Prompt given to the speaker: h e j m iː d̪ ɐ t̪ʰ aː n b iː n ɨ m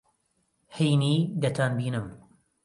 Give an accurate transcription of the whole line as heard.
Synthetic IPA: h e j n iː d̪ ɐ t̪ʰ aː n b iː n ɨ m